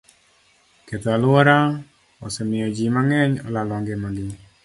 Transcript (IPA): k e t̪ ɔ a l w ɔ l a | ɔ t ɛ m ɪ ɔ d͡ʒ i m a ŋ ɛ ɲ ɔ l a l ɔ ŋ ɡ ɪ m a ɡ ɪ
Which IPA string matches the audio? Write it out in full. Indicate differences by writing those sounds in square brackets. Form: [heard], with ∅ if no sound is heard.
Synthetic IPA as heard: k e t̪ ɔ a l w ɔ [ɾ] a | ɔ [s] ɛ m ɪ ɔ d͡ʒ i m a ŋ ɛ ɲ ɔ l a l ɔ ŋ ɡ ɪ m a ɡ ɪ